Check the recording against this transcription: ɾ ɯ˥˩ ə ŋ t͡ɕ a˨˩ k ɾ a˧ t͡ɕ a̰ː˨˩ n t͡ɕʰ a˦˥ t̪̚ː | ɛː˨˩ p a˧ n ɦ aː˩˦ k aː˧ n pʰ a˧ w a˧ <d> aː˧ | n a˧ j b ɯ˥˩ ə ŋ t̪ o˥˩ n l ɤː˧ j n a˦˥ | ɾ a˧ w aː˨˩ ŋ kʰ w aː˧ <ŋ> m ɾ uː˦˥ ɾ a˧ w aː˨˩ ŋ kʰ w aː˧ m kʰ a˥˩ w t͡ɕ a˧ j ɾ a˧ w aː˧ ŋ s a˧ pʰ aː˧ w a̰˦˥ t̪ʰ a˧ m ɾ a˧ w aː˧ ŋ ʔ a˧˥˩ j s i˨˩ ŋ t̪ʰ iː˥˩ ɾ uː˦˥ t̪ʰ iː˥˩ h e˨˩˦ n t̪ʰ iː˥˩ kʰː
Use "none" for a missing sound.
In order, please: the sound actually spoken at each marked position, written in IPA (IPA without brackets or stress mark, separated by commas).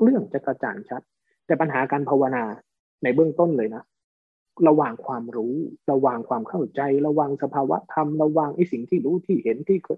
n, none